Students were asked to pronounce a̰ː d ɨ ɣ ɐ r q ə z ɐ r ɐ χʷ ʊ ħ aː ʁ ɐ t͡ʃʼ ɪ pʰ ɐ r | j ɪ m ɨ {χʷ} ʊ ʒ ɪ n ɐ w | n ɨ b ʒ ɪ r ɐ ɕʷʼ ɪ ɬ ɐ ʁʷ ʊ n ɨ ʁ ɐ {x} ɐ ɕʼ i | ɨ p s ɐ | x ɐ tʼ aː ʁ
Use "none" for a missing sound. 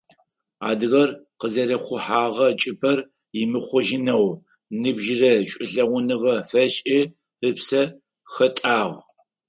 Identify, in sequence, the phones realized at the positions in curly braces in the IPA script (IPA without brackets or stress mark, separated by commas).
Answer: χʷ, f